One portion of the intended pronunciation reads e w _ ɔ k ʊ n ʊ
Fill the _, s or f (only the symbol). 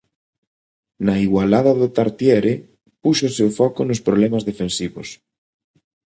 f